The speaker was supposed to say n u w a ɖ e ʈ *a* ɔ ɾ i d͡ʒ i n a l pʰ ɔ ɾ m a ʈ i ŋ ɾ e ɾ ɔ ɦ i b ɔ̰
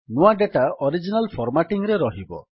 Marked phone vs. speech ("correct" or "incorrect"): correct